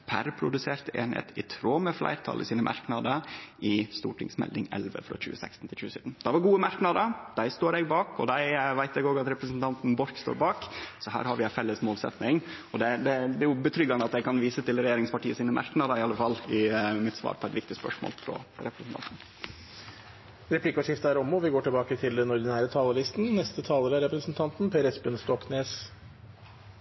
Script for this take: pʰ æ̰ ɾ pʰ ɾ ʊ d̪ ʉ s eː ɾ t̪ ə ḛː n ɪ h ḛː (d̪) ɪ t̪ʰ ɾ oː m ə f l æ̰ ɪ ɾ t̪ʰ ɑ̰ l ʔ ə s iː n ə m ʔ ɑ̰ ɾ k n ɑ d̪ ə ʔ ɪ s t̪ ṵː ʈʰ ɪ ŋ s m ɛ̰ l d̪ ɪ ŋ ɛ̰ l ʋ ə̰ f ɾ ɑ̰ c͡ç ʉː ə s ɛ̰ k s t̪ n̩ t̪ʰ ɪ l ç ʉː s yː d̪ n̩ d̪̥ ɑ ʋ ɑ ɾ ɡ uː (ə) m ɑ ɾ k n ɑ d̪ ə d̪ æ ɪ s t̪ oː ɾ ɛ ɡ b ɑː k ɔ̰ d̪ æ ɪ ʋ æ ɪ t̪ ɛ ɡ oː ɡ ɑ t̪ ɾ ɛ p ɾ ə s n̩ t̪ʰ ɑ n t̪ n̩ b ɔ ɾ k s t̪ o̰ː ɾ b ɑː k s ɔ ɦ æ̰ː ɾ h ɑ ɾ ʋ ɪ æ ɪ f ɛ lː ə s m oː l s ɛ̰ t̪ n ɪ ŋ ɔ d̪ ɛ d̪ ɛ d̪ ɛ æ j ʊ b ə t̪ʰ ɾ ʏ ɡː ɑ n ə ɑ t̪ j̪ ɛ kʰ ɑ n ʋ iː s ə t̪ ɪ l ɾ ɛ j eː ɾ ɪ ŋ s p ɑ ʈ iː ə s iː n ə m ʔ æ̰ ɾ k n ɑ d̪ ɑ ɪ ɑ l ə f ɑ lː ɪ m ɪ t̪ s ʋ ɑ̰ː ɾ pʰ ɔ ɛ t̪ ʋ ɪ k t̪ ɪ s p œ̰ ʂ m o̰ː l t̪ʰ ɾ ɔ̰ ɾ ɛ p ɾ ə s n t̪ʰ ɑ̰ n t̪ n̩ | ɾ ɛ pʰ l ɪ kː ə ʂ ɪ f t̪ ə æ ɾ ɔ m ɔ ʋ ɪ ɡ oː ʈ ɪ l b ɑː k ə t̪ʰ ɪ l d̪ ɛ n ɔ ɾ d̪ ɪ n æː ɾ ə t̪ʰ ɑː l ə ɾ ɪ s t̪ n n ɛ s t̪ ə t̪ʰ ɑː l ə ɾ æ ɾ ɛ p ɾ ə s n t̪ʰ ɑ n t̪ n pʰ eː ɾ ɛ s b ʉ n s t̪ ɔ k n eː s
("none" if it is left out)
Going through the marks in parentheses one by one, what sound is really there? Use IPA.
t̪, ə

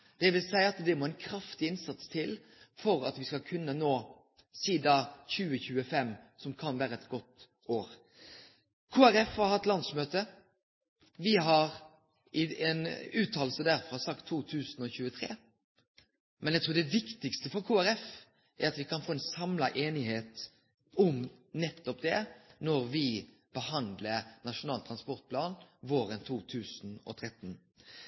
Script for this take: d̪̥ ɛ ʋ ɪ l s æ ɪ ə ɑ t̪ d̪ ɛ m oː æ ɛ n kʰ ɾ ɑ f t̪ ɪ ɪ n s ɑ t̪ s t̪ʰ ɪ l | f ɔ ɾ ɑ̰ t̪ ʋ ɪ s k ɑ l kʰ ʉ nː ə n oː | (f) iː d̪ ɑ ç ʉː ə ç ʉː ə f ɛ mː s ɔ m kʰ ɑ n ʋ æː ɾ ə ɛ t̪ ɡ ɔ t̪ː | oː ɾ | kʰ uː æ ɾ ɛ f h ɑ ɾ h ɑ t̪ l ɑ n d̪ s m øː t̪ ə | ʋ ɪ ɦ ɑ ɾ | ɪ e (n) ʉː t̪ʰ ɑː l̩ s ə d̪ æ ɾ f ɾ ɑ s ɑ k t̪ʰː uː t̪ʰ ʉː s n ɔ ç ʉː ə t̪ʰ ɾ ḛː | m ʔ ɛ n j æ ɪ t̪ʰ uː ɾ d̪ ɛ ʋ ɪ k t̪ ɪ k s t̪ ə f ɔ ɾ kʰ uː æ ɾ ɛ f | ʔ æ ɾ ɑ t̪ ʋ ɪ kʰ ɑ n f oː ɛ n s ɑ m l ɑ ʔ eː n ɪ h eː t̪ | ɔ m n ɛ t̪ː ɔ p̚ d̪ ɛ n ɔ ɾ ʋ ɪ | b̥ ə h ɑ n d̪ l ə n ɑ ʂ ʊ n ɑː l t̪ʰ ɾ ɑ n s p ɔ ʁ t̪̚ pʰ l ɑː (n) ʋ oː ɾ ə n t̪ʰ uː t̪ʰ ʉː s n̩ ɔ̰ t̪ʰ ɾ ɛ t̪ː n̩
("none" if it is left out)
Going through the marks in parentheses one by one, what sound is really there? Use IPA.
s, n, n

